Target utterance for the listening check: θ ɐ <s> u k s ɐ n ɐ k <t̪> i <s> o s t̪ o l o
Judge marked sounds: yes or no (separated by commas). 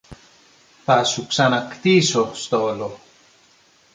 yes, yes, yes